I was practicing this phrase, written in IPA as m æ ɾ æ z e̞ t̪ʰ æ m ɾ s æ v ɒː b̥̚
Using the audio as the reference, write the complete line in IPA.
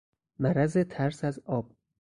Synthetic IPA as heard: m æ ɾ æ z e̞ t̪ʰ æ ɾ s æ z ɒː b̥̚